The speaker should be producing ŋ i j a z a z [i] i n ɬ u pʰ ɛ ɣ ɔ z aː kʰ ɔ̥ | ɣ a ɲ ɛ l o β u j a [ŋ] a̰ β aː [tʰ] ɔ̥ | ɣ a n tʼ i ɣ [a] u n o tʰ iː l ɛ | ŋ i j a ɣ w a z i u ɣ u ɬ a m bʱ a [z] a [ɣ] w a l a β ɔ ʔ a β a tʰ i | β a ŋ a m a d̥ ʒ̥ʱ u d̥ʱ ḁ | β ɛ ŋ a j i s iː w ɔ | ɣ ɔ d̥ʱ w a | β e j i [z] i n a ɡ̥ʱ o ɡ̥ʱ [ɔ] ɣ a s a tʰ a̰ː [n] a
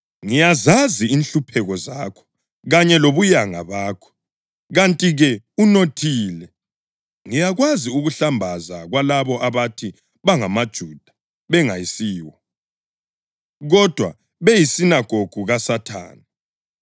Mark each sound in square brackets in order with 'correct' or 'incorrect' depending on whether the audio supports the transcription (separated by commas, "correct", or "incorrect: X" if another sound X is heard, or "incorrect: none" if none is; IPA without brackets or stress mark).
correct, correct, incorrect: kʰ, incorrect: ɛ, correct, correct, incorrect: s, incorrect: u, correct